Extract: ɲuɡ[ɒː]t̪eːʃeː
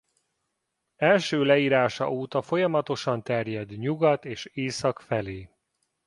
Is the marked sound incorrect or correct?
incorrect